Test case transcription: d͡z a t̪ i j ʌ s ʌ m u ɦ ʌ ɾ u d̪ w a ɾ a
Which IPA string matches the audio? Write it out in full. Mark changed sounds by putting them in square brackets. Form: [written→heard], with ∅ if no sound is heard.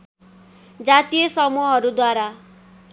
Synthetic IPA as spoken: d͡z a t̪ i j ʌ s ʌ m u ɦ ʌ ɾ u d̪ w a ɾ a

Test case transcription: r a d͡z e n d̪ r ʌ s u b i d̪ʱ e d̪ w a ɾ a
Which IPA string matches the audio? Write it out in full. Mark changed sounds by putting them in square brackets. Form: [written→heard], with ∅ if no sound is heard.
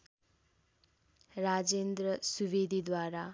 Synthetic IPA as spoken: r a d͡z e n d̪ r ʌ s u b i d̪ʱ [e→i] d̪ w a ɾ a

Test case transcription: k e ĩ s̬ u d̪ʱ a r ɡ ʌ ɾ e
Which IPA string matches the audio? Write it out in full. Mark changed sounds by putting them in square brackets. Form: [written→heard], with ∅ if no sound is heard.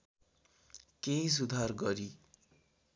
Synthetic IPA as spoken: k e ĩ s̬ u d̪ʱ a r ɡ ʌ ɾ [e→i]

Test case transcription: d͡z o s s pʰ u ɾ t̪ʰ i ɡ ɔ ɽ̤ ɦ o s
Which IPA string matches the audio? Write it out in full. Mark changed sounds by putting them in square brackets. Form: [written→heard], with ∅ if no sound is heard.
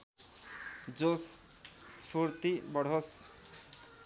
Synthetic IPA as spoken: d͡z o s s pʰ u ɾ [t̪ʰ→t̪] i [ɡ→b] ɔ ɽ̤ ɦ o s

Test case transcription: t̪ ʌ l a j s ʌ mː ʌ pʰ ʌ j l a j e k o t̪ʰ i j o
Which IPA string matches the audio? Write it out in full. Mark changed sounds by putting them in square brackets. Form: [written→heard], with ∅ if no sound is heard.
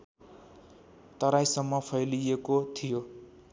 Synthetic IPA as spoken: t̪ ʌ [l→ɾ] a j s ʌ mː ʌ pʰ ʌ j l [a→i] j e k o t̪ʰ i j o

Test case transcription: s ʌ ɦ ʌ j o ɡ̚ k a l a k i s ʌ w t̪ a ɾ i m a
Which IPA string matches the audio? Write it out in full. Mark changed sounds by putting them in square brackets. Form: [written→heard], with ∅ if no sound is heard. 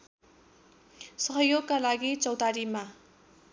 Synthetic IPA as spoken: s ʌ ɦ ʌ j o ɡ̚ k a l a [k→ɡ] i [s→t͡s] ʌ w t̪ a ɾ i m a

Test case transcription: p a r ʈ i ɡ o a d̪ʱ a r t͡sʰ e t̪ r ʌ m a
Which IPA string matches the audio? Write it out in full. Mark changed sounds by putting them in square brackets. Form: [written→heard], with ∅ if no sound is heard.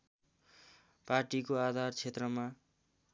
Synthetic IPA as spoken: p a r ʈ i [ɡ→k] o a d̪ʱ a r t͡sʰ e t̪ r ʌ m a

